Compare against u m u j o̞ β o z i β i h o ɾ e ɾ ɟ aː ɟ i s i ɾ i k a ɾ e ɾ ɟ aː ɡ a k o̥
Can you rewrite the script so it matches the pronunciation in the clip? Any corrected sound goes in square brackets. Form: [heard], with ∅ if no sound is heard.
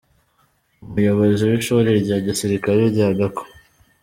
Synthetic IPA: u m u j o̞ β o z i [w] i [ʃ] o ɾ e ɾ ɟ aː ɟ i s i ɾ i k a ɾ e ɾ ɟ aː ɡ a k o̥

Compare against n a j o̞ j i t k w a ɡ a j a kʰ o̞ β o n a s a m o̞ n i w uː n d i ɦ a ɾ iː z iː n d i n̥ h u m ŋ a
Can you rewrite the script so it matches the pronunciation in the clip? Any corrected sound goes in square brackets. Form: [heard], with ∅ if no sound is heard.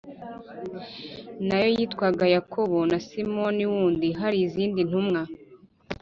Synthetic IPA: n a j o̞ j i t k w a ɡ a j a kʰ o̞ β o n a s [i] m o̞ n i w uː n d i ɦ a ɾ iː z iː n d i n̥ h u m ŋ a

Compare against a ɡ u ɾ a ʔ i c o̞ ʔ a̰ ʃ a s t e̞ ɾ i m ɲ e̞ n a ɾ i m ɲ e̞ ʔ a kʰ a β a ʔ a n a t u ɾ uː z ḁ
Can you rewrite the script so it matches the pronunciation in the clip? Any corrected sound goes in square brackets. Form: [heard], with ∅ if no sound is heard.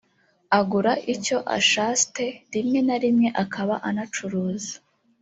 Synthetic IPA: a ɡ u ɾ a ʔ i c o̞ ʔ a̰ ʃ a s t e̞ ɾ i m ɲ e̞ n a ɾ i m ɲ e̞ ʔ a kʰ a β a ʔ a n a [t͡ʃ] u ɾ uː z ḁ

